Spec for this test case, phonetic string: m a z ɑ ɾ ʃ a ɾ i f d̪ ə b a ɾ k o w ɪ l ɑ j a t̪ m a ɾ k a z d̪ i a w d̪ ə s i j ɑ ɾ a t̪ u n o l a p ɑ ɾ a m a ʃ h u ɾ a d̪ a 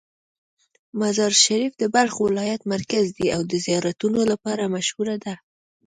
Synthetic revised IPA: m a z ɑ ɾ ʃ a ɾ i f d̪ ə b a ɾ x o w ɪ l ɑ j a t̪ m a ɾ k a z d̪ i a w d̪ ə z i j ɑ ɾ a t̪ u n o l a p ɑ ɾ a m a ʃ h u ɾ a d̪ a